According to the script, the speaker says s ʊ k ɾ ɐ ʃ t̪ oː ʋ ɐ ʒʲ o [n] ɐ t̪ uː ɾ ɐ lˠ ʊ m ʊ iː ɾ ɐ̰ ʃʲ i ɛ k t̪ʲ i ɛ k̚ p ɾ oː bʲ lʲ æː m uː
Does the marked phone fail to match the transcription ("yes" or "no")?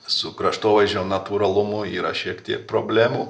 no